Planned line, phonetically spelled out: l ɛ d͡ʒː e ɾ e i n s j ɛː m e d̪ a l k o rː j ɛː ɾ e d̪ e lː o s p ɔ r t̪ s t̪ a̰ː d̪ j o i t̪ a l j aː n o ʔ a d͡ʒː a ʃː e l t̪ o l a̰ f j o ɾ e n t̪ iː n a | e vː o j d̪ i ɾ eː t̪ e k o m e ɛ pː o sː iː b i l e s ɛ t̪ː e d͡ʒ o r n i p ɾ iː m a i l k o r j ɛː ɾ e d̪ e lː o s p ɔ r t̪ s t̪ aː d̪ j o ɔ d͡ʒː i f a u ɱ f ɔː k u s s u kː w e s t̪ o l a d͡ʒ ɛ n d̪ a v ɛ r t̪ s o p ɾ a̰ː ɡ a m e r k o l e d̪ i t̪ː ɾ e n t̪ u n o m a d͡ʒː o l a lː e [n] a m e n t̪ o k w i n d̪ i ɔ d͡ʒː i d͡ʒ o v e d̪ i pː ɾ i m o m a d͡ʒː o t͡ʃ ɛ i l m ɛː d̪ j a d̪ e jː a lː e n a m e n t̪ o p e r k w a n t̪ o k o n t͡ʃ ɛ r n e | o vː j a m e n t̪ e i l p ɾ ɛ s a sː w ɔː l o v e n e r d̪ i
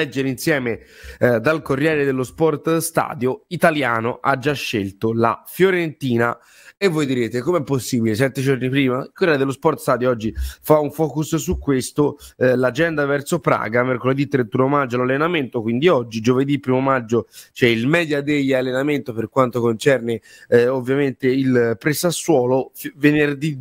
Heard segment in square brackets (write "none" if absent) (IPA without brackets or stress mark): n